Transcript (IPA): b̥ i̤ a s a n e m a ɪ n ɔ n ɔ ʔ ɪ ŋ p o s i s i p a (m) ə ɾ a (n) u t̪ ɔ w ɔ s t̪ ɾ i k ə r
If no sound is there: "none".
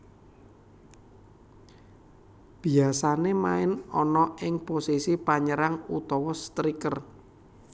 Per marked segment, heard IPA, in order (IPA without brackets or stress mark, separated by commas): ɲ, ŋ